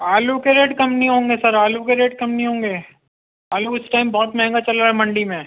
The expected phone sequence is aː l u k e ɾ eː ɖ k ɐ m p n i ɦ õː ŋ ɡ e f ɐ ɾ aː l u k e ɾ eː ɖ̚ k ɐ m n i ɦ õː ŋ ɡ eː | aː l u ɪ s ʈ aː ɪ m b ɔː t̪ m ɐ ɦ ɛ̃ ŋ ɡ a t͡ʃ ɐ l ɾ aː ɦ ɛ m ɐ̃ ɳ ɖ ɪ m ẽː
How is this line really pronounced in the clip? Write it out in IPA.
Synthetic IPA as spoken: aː l u k e ɾ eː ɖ k ɐ m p n i ɦ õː ŋ ɡ e s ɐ ɾ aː l u k e ɾ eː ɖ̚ k ɐ m n i ɦ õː ŋ ɡ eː | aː l u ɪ s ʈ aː ɪ m b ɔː t̪ m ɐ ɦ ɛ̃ ŋ ɡ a t͡ʃ ɐ l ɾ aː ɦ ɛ m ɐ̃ ɳ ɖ i m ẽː